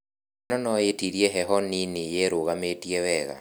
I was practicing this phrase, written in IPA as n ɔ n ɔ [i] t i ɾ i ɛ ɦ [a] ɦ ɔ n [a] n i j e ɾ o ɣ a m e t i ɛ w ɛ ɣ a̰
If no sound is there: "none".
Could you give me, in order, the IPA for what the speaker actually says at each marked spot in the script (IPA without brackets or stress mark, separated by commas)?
e, ɛ, i